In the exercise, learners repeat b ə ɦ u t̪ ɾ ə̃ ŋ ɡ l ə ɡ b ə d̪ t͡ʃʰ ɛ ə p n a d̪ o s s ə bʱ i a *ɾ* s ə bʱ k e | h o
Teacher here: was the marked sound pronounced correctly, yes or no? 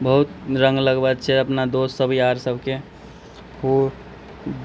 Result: yes